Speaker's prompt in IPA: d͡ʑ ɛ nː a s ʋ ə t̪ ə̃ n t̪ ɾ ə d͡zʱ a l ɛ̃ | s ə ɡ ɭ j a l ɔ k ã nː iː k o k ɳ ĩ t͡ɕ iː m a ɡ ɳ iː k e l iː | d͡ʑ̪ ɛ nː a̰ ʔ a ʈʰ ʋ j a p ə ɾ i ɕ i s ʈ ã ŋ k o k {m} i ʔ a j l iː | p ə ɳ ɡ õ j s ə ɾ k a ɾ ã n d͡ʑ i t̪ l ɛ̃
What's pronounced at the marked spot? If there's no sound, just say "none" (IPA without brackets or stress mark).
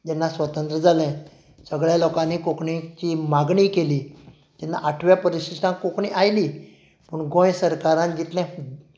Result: ɳ